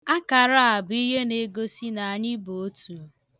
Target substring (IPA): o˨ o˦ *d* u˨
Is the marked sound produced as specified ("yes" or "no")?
no